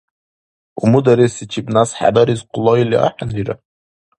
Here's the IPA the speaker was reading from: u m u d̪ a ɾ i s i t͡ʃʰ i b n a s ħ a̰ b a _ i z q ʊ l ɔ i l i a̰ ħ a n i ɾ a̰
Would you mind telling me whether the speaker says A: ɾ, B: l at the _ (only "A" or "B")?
A